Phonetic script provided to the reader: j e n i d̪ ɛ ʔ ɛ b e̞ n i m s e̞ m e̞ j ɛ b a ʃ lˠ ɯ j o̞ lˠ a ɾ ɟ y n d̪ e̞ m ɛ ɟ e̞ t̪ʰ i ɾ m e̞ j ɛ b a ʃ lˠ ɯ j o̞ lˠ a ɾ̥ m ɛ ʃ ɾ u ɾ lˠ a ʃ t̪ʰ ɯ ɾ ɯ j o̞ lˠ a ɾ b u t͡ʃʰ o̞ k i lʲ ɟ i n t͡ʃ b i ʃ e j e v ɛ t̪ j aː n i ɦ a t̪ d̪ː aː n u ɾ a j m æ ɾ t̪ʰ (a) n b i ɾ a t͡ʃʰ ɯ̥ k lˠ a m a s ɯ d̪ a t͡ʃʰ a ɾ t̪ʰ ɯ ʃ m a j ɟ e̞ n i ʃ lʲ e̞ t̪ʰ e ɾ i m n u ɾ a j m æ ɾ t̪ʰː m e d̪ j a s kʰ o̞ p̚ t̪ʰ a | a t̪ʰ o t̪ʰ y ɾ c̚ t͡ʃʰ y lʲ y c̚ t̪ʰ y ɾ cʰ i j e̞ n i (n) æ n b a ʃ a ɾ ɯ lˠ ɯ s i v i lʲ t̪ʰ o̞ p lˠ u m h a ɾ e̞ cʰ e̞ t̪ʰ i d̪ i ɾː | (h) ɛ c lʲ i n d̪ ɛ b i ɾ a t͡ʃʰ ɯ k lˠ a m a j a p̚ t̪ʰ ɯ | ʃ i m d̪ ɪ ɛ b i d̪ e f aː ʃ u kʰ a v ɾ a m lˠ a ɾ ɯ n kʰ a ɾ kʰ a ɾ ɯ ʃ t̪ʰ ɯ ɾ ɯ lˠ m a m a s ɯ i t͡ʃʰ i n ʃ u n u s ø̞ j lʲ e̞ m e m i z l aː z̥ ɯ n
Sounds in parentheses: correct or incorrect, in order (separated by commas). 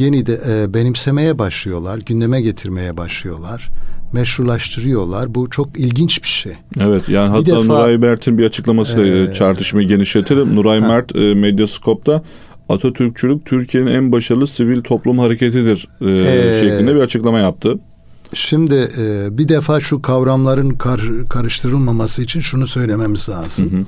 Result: incorrect, correct, incorrect